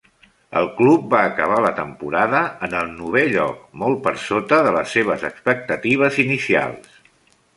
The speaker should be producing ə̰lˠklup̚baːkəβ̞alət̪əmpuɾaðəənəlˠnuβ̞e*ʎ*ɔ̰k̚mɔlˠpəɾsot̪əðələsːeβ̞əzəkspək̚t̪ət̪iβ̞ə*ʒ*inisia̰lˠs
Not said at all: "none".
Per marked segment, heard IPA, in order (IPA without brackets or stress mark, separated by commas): ʎ, z